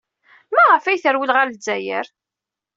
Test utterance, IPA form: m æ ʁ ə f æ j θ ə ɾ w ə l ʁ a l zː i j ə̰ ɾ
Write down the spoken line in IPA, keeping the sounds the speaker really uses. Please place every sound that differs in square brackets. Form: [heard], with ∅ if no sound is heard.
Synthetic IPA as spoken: m æ ʁ ə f æ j θ ə ɾ w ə l ʁ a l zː [æ] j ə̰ ɾ